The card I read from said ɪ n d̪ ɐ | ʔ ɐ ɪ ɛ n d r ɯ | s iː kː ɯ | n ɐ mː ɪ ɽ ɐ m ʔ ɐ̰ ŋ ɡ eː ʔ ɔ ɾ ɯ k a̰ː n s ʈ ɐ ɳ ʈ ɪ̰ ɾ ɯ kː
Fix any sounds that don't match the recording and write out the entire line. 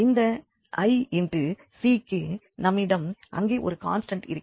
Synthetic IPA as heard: ɪ n d̪ ɐ | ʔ ɐ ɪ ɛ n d r ɯ | s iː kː ɯ | n ɐ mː ɪ ɽ ɐ m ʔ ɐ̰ ŋ ɡ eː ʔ ɔ ɾ ɯ k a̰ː n s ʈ ɐ ɳ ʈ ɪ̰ ɾ ɯ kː